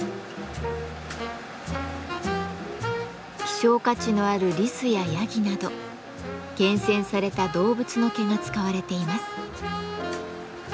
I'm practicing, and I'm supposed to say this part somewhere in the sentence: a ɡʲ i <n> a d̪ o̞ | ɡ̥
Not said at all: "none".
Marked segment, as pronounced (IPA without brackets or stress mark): n